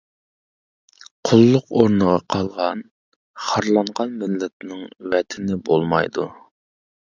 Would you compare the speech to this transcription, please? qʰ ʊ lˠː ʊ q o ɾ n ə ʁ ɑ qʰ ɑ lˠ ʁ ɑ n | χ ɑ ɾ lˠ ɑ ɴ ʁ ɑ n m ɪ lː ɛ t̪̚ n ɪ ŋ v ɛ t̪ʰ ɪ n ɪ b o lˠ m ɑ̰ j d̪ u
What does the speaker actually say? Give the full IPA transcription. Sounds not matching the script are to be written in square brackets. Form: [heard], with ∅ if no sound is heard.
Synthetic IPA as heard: qʰ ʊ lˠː ʊ q o ɾ n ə ʁ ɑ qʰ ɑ lˠ ʁ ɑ n | χ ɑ ɾ lˠ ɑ ɴ ʁ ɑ n m ɪ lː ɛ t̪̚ n ɪ ŋ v ɛ t̪ʰ ɪ n ɪ b o lˠ m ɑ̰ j d̪ u